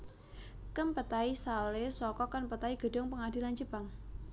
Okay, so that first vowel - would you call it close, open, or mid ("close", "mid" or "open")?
mid